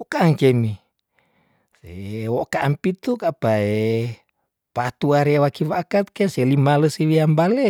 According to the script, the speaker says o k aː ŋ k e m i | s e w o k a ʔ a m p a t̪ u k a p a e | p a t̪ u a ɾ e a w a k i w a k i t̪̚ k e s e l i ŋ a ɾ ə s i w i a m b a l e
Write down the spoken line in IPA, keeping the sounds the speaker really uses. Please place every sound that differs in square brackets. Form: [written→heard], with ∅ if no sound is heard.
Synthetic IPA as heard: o k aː ŋ k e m i | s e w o k a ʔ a m p [a→i] t̪ u k a p a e | p a t̪ u a ɾ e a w a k i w a k [i→a] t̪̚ k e s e l i [ŋ→m] a [ɾ→l] ə s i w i a m b a l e